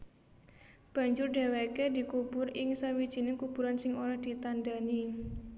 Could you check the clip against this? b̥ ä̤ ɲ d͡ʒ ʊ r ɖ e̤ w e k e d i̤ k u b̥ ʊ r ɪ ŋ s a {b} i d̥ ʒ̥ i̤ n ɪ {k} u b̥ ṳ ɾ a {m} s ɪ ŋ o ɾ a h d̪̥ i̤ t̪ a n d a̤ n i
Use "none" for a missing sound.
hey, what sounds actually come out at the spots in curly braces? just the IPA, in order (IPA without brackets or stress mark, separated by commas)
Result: w, k, n